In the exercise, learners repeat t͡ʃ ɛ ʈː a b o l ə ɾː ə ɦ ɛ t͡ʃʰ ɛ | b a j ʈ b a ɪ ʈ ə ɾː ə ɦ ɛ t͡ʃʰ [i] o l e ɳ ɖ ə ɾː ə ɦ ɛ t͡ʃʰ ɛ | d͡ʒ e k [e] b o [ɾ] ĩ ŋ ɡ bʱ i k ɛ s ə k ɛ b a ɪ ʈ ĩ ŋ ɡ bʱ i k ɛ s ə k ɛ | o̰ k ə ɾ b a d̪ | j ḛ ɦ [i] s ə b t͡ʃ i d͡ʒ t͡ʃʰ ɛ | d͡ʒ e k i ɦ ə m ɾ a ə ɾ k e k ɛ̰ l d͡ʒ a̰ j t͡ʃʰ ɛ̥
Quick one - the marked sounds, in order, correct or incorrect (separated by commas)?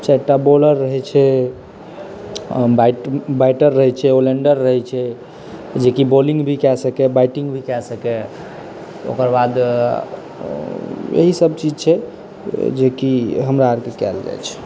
incorrect, incorrect, incorrect, correct